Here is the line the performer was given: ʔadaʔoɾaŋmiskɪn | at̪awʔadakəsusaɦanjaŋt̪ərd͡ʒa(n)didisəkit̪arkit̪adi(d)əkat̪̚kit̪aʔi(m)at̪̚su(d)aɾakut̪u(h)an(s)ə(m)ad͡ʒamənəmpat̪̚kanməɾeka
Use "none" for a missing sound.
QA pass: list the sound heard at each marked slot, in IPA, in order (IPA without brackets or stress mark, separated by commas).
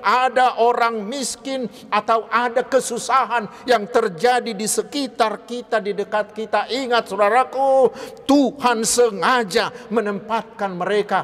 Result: none, d, ŋ, d, h, s, ŋ